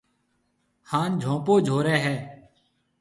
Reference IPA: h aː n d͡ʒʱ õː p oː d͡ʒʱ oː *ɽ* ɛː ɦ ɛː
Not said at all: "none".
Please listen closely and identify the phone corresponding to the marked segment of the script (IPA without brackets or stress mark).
ɾ